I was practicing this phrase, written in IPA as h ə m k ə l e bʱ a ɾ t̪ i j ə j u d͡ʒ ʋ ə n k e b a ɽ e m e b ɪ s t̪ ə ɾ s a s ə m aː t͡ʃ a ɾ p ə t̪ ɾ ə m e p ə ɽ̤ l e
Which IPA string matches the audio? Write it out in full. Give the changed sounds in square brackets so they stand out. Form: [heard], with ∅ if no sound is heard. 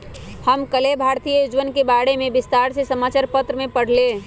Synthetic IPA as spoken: h ə m k ə l e bʱ a ɾ t̪ i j ə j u d͡ʒ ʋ ə n k e b a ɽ e m e b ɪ s t̪ [a] ɾ s [e] s ə m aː t͡ʃ a ɾ p ə t̪ ɾ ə m e p ə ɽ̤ l e